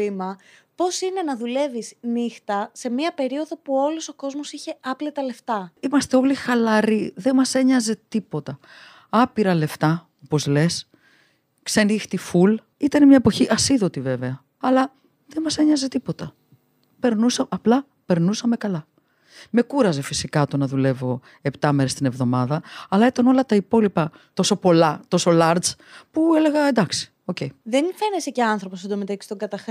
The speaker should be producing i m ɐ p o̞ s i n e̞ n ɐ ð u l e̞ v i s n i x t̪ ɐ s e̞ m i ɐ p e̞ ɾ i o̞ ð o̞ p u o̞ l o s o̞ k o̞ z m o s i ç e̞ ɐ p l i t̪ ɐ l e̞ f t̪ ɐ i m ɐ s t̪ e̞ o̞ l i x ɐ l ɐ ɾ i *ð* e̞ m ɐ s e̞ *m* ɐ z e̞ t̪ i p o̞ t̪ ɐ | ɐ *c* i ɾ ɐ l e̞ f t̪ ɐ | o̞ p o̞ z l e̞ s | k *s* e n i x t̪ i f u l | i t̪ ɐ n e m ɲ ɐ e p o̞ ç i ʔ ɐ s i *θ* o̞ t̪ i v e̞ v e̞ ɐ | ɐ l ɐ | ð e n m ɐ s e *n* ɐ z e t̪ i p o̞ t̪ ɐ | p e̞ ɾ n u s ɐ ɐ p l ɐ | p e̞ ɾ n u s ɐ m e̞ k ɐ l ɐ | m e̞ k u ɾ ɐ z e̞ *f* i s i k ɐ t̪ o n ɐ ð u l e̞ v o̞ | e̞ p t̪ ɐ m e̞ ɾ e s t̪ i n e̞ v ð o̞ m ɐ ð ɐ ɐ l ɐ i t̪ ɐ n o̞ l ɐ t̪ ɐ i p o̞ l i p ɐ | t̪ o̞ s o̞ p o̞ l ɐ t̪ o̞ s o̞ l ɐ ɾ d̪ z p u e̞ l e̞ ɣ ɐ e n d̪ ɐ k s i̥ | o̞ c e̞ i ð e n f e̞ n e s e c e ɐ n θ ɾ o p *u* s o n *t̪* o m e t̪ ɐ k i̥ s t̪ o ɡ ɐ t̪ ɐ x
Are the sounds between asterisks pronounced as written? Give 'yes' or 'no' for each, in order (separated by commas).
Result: yes, no, no, yes, no, no, yes, no, no